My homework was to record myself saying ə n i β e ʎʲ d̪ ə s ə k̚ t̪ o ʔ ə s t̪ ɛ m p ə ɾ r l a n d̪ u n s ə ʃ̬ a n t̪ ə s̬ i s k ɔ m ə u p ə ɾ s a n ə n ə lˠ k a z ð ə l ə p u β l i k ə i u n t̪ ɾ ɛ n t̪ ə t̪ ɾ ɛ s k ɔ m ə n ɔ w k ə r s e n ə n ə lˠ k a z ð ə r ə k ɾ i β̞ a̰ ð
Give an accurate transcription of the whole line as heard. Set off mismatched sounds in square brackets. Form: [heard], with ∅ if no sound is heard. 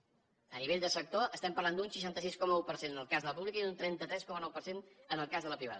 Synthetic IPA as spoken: ə n i β e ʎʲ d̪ ə s ə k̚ t̪ o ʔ ə s t̪ ɛ m p ə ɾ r l a n d̪ u n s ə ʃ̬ a n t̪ ə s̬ i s k ɔ m ə u p ə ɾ s [e] n ə n ə lˠ k a z ð ə l ə p u β l i k ə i u n t̪ ɾ ɛ n t̪ ə t̪ ɾ ɛ s k ɔ m ə n ɔ w [p] ə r s e n ə n ə lˠ k a z ð ə [l] ə [p] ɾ i β̞ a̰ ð